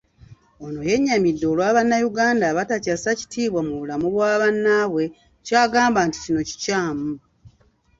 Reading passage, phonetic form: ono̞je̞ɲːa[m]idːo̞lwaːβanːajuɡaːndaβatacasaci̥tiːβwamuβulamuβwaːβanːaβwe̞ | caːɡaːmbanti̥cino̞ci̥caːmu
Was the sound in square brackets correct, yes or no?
yes